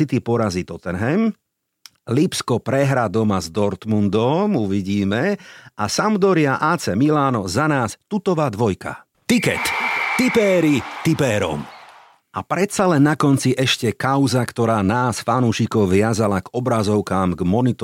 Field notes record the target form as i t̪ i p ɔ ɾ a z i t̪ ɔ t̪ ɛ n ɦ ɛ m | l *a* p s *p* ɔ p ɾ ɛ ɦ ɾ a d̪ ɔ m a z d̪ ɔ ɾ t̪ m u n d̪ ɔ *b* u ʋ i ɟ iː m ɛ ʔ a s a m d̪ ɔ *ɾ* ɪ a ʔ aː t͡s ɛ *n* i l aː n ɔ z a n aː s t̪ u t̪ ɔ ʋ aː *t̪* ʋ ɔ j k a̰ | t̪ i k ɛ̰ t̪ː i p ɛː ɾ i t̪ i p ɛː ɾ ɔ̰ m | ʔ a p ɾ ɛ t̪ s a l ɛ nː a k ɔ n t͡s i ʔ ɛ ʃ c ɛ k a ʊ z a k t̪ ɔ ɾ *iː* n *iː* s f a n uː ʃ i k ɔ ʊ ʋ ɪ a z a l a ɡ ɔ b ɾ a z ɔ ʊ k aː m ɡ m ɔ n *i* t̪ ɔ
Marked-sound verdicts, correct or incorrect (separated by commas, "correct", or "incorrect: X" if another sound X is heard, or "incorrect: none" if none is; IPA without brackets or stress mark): incorrect: i, incorrect: k, incorrect: m, correct, incorrect: m, incorrect: d̪, incorrect: aː, incorrect: aː, correct